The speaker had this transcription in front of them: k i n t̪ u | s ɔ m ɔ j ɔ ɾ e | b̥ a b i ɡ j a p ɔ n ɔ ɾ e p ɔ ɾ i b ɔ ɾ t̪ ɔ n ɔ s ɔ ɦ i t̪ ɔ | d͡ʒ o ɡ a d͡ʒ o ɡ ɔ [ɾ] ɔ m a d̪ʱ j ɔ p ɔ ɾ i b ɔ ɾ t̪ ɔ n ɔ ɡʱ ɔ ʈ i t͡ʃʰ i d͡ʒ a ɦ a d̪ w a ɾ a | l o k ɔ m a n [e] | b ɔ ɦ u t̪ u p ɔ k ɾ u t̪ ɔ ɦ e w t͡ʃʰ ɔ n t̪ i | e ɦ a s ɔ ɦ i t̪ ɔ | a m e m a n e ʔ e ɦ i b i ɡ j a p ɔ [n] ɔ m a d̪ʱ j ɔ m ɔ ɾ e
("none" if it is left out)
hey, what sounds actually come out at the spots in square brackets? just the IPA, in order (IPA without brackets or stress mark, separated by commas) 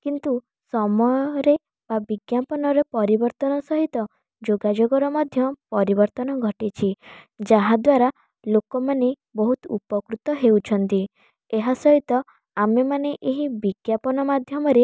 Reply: ɾ, e, n